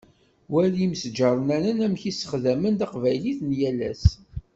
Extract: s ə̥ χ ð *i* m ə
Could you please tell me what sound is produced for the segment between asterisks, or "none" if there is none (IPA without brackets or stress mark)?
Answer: æ